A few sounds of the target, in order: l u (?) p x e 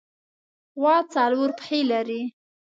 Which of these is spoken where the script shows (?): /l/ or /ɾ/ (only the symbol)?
ɾ